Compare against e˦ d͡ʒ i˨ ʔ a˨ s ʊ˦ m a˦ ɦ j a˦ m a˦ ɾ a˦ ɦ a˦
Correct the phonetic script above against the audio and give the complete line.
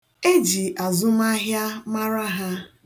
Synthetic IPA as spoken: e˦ d͡ʒ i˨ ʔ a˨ z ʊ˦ m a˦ ɦ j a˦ m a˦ ɾ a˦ ɦ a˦